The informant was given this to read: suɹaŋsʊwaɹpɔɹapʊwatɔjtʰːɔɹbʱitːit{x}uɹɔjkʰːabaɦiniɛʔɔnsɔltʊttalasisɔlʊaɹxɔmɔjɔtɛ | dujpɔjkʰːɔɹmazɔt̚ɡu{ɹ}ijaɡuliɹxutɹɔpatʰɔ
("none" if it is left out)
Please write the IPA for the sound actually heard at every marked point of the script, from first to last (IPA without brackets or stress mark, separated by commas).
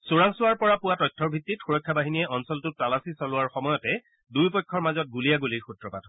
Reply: x, l